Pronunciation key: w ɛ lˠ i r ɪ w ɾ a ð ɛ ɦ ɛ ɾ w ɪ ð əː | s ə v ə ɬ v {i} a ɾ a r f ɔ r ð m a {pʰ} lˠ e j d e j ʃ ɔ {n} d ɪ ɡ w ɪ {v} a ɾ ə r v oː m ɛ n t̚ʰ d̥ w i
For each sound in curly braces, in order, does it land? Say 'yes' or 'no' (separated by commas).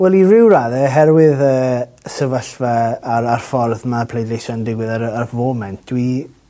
no, yes, yes, no